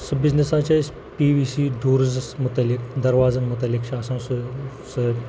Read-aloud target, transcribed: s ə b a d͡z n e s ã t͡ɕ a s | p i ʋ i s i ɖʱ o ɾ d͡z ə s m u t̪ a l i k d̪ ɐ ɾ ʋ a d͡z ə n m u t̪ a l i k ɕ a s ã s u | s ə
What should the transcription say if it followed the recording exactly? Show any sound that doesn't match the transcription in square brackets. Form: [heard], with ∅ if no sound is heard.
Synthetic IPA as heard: s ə b [i] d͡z n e s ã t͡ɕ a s | p i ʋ i s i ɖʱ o ɾ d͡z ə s m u t̪ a l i k d̪ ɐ ɾ ʋ a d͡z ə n m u t̪ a l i k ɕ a s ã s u | s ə

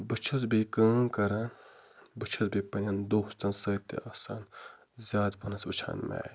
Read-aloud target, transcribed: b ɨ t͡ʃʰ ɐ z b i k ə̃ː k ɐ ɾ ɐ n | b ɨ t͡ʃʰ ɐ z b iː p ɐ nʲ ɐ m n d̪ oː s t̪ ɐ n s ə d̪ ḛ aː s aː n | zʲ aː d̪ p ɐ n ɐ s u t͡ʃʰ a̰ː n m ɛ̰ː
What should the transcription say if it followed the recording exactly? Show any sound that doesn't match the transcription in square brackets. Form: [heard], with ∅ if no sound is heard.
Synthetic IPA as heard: b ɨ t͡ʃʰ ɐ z b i k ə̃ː k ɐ ɾ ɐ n | b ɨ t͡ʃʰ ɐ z b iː p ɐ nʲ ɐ [∅] n d̪ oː s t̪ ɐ n s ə [t̪] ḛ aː s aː n | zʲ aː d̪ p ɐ n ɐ s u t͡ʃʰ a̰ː n m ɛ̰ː

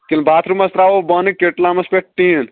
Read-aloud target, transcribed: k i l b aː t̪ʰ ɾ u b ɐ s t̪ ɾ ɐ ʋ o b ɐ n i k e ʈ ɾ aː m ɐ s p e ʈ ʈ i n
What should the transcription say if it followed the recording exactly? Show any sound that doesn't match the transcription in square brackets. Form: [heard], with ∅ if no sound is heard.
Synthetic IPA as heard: k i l b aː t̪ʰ ɾ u [m] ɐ s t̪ ɾ [a] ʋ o b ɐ n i k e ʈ [l] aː m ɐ s p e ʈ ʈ i n

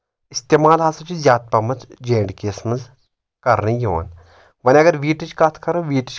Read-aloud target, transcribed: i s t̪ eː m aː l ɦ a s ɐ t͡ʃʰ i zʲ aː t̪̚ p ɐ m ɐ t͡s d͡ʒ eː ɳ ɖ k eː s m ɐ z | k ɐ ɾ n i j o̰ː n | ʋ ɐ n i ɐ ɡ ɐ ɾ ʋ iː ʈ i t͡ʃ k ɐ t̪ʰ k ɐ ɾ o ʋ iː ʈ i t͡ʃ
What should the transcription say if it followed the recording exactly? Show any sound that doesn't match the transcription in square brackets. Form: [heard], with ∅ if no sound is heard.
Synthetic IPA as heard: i s t̪ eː m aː l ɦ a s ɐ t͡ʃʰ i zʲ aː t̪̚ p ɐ m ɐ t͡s d͡ʒ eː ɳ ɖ k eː s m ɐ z | k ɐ ɾ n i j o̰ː n | ʋ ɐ n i ɐ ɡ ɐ ɾ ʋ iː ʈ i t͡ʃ k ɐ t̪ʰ k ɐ ɾ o ʋ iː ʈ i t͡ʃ

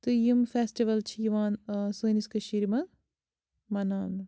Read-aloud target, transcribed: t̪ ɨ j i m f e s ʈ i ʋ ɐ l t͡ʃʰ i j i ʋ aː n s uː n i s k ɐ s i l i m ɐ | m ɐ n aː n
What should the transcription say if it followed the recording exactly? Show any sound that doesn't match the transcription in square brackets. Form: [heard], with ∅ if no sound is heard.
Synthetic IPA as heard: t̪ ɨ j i m f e s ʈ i ʋ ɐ l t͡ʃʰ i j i ʋ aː n s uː n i s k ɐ [ʃ] i [ɾ] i m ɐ | m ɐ n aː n

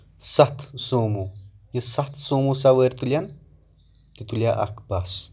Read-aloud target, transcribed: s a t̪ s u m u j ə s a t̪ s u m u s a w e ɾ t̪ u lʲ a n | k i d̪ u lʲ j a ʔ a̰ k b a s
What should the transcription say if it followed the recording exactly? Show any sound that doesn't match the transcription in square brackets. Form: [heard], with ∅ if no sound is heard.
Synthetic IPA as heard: s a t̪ s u m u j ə s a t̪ s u m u s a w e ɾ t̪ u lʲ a n | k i [t̪] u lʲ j a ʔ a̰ k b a s

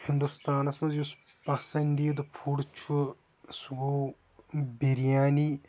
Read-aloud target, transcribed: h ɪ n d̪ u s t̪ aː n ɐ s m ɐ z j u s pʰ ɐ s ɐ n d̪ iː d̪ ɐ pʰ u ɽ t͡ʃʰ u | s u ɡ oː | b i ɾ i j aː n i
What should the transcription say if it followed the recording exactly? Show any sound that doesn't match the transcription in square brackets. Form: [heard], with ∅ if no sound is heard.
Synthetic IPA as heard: h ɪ n d̪ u s t̪ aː n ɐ s m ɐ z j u s [p] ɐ s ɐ n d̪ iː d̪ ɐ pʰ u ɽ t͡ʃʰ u | s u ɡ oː | b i ɾ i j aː n i

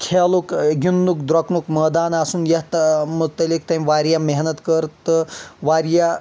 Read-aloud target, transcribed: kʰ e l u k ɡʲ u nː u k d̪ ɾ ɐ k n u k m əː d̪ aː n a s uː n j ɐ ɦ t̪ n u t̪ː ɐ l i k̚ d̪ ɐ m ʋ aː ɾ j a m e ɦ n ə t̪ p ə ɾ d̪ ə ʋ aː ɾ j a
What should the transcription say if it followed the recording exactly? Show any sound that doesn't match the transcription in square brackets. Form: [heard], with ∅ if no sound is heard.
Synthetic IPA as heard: kʰ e l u k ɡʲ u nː u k d̪ ɾ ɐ k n u k m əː d̪ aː n a s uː n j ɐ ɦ t̪ [m] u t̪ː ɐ l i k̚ [t̪] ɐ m ʋ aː ɾ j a m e ɦ n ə t̪ [k] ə ɾ [t̪] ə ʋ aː ɾ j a

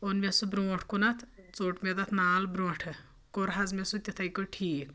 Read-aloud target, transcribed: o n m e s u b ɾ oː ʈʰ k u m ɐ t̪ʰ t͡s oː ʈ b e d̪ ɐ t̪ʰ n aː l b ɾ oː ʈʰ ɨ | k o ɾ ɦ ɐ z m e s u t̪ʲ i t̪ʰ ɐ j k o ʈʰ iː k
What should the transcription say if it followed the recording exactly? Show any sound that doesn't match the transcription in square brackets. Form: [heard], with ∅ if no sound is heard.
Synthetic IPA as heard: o n m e s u b ɾ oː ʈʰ k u [n] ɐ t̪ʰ t͡s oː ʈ [m] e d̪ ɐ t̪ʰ n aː l b ɾ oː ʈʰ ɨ | k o ɾ ɦ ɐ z m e s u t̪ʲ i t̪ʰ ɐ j k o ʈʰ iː k

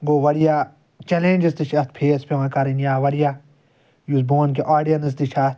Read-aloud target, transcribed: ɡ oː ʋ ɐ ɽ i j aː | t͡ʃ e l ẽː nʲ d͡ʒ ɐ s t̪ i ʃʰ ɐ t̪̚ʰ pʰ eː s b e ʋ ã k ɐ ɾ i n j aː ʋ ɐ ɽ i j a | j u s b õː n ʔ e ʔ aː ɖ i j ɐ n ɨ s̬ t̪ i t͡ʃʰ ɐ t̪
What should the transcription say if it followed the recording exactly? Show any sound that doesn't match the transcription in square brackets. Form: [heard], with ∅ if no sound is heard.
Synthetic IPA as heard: ɡ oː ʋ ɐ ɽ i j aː | t͡ʃ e l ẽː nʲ d͡ʒ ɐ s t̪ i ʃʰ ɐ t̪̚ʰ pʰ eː s [p] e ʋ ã k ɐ ɾ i n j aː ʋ ɐ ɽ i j a | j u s b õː n [k] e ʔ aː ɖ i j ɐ n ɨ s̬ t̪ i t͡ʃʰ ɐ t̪

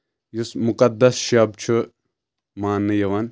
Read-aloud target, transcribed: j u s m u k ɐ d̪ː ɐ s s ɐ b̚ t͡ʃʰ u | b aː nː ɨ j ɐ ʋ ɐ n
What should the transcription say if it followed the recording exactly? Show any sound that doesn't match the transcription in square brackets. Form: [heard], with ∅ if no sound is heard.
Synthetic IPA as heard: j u s m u k ɐ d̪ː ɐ s [ʃ] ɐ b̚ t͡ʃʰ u | [m] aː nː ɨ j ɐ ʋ ɐ n

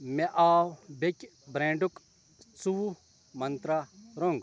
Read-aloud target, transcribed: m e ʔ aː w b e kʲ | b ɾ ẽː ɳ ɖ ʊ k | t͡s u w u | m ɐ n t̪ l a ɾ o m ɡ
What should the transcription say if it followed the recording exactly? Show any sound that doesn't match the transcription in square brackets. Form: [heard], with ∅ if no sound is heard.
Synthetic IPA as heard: m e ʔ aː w b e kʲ | b ɾ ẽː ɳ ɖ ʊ k | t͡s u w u | m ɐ n t̪ [ɾ] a ɾ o [ŋ] ɡ

